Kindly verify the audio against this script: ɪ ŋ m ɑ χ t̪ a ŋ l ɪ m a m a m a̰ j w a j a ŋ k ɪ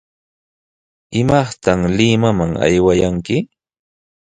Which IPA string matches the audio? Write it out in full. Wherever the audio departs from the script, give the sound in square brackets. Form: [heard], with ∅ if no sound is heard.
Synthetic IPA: ɪ [∅] m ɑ χ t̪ a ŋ l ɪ m a m a [ŋ] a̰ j w a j a ŋ k ɪ